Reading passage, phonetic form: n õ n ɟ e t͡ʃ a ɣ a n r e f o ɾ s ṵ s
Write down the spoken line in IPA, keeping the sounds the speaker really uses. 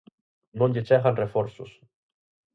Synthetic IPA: n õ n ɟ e t͡ʃ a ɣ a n r e f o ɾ s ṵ s